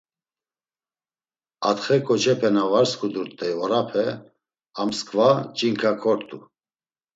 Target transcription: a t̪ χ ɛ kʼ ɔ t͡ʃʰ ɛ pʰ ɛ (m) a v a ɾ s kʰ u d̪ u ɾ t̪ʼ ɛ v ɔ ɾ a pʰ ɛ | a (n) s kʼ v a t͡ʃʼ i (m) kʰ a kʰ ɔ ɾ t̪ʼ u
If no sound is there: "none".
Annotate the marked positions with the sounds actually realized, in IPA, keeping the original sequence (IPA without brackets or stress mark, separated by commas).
n, m, ŋ